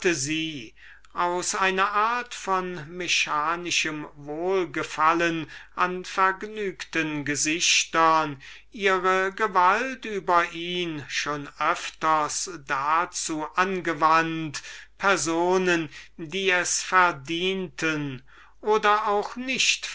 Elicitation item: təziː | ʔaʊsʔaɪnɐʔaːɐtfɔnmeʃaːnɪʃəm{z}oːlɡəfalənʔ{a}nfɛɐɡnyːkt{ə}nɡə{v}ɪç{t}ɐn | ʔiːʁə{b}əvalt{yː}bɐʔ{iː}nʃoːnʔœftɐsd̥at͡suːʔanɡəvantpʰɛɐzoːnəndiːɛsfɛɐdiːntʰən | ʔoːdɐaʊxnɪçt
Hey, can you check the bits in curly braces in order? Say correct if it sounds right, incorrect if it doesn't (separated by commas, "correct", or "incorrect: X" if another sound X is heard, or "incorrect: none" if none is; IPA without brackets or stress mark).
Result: incorrect: v, correct, correct, incorrect: z, correct, incorrect: ɡ, correct, correct